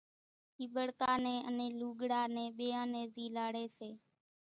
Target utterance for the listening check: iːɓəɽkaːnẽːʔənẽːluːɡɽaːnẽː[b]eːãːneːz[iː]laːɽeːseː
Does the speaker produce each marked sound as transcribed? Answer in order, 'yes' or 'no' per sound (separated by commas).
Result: no, yes